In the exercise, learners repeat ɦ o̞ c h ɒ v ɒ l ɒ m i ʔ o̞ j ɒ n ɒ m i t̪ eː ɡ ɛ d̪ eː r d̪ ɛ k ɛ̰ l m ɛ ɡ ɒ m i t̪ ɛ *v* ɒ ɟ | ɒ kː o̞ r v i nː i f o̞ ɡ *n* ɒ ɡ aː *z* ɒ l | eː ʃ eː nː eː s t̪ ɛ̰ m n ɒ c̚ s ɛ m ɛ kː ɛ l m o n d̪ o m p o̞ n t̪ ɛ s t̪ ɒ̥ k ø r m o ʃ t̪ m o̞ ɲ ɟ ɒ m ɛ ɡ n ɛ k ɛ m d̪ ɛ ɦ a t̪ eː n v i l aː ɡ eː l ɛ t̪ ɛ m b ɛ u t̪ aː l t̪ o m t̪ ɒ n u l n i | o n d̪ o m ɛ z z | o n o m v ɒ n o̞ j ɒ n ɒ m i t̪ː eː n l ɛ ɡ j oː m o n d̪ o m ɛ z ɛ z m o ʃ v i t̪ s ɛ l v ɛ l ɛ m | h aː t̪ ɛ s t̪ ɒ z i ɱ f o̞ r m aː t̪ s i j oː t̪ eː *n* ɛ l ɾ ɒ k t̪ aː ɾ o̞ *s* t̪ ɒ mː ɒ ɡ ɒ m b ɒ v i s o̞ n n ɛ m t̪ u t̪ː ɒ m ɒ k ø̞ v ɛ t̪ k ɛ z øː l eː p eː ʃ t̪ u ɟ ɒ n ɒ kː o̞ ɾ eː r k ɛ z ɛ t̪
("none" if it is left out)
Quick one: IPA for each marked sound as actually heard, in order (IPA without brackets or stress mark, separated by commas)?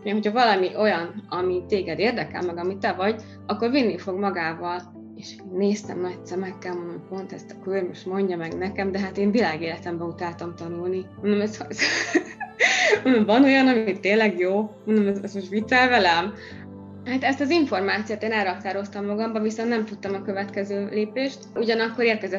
v, m, v, n, s